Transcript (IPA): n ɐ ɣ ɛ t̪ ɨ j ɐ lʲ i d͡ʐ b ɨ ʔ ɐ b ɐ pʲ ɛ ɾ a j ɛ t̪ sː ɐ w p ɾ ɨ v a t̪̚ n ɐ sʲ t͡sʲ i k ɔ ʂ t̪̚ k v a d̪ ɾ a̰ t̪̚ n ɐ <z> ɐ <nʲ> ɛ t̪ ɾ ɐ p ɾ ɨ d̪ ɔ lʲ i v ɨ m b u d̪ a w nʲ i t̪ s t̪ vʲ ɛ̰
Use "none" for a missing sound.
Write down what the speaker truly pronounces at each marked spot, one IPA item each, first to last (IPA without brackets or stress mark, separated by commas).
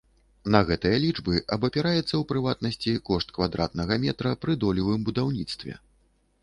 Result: ɣ, mʲ